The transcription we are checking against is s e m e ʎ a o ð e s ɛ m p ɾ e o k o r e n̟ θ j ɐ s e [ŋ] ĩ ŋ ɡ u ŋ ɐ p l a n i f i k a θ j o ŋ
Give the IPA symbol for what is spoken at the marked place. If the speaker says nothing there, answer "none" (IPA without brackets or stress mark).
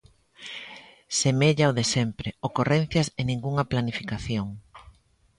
n